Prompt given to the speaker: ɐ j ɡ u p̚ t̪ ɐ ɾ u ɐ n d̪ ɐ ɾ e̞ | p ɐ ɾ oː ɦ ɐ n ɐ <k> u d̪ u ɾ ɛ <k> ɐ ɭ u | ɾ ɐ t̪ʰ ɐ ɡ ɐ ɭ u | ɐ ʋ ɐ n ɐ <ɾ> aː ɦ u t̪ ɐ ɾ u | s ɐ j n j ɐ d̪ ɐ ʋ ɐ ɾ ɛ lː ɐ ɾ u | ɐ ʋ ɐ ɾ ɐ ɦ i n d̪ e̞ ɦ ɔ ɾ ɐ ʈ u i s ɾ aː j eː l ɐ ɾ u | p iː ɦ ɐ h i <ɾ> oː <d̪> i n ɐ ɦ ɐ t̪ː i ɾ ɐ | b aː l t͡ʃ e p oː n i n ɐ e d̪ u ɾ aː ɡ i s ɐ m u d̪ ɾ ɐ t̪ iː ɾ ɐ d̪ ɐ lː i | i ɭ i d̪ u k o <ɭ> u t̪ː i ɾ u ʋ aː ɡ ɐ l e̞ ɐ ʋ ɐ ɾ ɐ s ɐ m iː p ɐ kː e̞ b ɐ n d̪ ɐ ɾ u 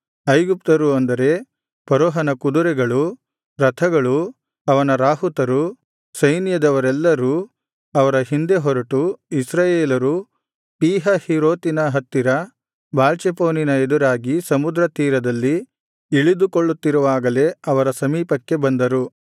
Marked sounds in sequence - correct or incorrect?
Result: correct, incorrect: ɡ, correct, correct, incorrect: t̪, incorrect: ɭː

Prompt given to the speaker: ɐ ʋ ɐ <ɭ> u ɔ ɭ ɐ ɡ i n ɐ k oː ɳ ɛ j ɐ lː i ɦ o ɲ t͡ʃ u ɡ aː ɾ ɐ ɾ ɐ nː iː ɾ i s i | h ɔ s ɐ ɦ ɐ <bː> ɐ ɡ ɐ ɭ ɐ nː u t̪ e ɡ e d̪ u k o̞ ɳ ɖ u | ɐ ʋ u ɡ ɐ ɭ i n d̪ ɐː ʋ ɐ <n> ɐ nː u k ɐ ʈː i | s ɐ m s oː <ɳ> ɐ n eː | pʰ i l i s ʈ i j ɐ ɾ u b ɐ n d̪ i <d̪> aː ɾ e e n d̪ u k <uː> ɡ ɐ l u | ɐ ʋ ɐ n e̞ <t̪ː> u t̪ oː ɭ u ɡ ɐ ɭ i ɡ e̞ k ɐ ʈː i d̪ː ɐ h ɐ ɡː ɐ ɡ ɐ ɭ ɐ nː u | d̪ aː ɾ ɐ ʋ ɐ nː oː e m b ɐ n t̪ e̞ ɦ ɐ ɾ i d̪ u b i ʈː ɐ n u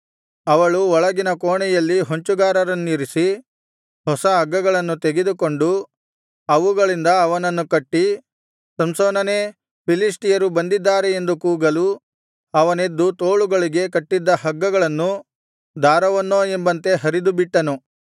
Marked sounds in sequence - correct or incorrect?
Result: correct, incorrect: ɡː, correct, incorrect: n, incorrect: d̪ː, correct, incorrect: d̪ː

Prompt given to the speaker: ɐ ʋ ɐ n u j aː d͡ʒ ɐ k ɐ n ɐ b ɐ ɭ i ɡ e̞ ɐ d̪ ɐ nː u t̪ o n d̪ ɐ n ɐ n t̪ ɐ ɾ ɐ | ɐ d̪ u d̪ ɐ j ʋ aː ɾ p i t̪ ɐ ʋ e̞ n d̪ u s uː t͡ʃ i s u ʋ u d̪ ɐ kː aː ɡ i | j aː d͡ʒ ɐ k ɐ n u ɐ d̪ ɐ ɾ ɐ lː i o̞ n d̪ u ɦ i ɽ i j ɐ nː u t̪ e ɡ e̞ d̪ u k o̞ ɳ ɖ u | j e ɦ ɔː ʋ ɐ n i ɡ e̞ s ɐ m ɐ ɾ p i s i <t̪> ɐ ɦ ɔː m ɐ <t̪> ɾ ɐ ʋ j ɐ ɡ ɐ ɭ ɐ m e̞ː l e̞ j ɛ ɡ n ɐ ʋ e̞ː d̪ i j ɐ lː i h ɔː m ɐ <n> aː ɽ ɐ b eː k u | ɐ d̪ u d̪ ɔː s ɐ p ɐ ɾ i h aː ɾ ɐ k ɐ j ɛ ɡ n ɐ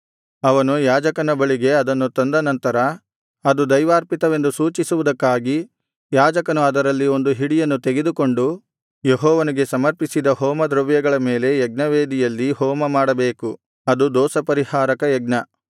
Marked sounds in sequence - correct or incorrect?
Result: incorrect: d̪, incorrect: d̪, incorrect: m

